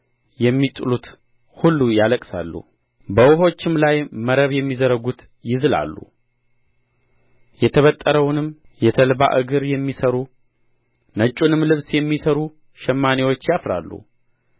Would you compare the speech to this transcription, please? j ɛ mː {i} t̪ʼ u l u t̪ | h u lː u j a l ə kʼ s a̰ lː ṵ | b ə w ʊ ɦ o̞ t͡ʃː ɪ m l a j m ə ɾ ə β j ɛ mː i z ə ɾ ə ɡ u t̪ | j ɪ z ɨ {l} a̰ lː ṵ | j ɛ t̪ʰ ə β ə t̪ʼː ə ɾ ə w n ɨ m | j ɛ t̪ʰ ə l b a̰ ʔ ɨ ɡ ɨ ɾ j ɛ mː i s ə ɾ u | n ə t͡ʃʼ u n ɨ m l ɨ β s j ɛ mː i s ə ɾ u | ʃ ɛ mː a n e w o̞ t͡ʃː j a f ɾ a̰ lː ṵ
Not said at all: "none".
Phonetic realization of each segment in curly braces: i, l

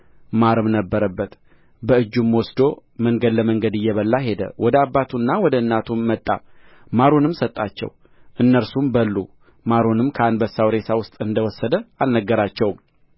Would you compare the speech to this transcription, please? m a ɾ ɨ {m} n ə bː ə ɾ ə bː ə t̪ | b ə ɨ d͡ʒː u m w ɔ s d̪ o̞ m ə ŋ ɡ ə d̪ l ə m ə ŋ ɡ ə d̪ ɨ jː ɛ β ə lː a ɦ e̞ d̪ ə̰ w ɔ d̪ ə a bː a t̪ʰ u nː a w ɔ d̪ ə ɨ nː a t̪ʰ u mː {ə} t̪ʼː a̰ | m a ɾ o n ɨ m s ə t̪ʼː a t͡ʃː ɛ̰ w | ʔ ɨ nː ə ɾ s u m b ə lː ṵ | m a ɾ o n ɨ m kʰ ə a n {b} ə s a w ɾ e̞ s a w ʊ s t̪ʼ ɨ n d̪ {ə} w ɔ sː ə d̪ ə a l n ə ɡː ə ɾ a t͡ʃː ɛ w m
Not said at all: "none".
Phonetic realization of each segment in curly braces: m, ə, b, ə

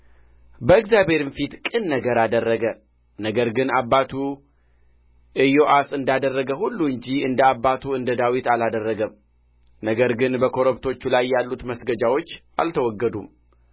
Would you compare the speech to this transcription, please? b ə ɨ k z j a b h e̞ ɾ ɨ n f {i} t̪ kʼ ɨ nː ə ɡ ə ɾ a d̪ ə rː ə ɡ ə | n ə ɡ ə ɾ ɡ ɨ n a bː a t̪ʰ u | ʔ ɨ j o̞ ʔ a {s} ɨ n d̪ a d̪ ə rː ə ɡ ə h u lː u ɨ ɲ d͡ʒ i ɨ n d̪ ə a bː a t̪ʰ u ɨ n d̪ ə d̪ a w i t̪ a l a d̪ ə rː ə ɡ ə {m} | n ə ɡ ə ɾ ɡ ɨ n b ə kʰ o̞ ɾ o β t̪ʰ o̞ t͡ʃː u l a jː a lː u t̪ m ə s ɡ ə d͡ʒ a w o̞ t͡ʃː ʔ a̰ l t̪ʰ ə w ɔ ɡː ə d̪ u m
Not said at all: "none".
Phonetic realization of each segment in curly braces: i, s, m

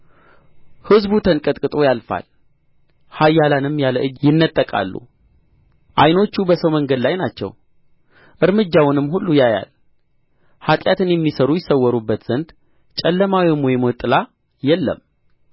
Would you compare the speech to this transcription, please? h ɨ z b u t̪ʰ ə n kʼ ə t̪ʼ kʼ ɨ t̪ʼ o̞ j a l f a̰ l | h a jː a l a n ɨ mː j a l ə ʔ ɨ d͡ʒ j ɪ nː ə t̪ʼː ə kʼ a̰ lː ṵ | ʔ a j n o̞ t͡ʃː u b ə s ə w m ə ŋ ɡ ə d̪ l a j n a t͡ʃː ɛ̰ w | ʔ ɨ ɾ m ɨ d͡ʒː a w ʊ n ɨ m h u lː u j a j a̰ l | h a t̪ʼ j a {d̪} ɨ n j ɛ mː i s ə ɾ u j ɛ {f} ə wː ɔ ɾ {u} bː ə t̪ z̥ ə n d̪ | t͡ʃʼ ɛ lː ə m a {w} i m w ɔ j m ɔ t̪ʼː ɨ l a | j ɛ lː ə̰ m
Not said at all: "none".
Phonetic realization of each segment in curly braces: t̪, s, u, w

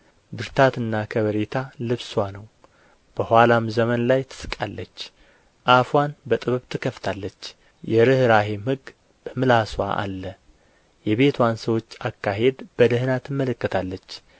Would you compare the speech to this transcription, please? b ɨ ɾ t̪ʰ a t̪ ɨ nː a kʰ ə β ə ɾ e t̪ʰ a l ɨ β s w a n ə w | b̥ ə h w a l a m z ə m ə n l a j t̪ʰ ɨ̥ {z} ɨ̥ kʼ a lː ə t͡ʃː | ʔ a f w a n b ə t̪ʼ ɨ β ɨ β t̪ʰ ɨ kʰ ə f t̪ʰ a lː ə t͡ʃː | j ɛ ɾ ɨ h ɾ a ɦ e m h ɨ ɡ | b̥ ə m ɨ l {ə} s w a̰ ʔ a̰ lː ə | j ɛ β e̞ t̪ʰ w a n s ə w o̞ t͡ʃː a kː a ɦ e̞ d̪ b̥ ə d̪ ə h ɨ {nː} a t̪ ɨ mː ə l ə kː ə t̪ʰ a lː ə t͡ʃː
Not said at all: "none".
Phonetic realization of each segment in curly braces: s, a, n

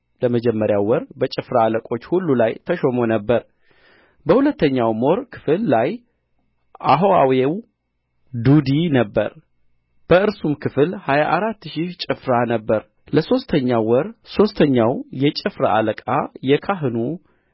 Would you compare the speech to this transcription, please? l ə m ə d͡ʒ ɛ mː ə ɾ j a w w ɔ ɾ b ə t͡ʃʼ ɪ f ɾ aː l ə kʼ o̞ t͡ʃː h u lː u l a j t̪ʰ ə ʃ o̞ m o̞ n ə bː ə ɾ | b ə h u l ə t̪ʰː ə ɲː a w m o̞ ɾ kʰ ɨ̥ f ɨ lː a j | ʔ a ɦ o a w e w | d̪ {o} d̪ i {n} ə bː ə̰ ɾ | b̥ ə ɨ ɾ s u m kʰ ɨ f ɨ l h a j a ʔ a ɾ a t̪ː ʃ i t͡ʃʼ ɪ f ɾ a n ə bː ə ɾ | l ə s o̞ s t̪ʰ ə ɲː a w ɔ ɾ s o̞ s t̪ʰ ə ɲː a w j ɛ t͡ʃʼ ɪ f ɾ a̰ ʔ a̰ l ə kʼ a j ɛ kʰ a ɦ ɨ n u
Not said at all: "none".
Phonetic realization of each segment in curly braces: u, n

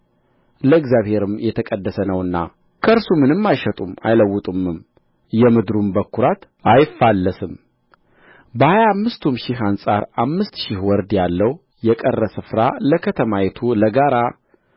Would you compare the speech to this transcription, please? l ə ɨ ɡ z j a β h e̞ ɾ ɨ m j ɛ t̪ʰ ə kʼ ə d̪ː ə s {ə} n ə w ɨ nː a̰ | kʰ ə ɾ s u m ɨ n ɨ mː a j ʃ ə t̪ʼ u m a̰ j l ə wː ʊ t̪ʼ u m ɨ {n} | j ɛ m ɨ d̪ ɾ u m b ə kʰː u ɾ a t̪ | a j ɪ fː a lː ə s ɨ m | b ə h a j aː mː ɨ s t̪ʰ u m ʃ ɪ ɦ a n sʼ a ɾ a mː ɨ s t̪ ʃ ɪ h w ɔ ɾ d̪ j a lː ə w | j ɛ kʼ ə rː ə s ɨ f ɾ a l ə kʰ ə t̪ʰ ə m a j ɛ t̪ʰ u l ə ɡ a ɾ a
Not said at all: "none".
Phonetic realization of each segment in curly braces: ə, m

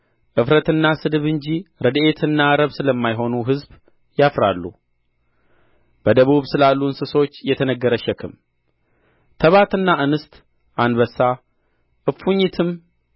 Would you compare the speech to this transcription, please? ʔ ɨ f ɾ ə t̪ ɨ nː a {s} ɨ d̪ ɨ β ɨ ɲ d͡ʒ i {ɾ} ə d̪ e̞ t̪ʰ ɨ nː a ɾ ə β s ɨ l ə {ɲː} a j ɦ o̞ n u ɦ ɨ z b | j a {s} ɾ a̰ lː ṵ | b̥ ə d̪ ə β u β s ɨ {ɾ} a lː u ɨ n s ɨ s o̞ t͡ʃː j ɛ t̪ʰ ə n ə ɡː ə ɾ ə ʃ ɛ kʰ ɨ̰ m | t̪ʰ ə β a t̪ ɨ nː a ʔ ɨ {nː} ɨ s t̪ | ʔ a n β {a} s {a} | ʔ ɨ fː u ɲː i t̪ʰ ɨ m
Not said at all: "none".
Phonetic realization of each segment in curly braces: s, ɾ, mː, f, l, n, ə, a

